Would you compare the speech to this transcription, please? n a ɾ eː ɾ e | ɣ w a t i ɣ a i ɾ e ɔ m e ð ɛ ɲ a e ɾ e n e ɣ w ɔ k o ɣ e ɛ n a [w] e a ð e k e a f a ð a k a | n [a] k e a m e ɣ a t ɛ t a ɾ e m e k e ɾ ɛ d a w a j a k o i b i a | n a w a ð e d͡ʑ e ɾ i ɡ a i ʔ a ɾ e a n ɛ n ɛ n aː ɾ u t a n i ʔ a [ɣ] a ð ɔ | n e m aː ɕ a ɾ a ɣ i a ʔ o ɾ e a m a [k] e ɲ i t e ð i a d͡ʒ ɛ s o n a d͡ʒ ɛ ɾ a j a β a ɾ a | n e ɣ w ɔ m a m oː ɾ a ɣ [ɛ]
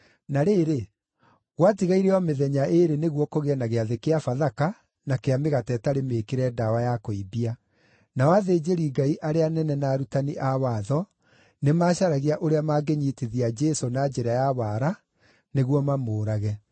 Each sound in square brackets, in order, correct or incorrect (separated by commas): incorrect, correct, incorrect, incorrect, correct